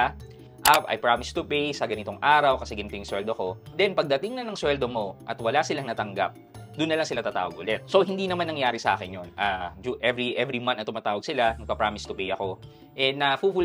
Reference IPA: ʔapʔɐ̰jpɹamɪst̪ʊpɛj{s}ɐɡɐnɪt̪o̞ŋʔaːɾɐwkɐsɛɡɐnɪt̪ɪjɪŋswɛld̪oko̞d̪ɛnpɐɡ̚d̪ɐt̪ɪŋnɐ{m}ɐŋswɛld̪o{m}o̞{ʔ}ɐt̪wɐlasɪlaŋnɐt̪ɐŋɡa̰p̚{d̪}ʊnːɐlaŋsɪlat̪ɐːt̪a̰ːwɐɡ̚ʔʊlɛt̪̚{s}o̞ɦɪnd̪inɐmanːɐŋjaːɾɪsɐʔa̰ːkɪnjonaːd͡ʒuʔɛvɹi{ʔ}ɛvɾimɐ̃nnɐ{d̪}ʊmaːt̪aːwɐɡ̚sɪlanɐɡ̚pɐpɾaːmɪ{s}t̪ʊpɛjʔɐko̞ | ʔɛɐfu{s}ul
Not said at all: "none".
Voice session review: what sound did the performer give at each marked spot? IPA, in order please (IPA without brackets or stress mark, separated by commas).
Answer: s, n, m, ʔ, d̪, s, ʔ, t̪, s, f